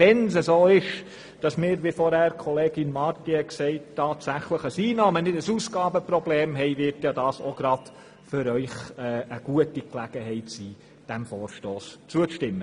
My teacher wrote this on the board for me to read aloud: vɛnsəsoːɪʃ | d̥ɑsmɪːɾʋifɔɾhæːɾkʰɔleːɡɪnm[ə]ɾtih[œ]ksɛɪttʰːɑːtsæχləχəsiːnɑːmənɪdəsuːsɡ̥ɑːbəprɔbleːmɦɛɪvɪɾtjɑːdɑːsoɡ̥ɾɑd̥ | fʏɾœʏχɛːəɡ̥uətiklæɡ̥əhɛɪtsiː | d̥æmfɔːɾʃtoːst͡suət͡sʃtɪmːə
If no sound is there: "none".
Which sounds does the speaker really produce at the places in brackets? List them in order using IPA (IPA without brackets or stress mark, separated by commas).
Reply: ɑ, ɛ